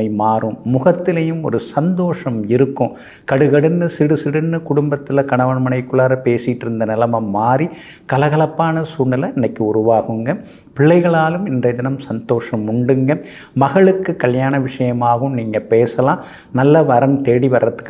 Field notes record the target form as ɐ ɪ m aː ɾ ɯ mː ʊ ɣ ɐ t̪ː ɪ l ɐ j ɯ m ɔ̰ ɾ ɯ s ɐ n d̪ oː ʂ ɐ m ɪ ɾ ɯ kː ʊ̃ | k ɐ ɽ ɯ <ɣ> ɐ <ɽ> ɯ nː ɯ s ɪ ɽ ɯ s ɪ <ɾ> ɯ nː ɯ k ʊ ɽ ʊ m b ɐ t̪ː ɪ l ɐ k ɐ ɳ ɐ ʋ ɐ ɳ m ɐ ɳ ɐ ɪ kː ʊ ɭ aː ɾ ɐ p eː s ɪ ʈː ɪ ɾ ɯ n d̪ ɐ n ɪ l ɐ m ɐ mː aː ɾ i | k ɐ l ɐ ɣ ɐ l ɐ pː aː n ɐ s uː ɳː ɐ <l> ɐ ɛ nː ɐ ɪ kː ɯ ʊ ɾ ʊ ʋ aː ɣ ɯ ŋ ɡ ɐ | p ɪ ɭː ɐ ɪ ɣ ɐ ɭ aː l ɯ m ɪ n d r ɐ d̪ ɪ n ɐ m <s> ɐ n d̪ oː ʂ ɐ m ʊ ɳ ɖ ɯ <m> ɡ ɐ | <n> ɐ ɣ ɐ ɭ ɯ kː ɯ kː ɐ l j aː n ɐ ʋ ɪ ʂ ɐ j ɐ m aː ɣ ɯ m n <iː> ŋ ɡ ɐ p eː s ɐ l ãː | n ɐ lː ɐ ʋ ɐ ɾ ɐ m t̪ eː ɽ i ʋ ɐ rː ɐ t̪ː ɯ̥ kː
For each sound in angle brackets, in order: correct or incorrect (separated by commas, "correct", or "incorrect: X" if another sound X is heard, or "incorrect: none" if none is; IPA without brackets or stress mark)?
correct, correct, incorrect: ɽ, correct, correct, incorrect: ŋ, incorrect: m, correct